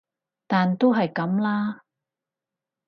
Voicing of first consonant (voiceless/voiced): voiceless